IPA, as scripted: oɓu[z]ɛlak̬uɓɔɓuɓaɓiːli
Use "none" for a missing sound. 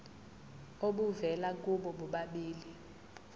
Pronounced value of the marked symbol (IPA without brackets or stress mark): v